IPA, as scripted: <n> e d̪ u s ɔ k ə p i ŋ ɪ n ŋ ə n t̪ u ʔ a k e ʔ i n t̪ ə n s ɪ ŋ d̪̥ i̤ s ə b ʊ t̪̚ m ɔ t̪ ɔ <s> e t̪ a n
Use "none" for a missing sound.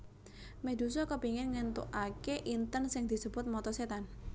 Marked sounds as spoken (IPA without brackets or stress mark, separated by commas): m, s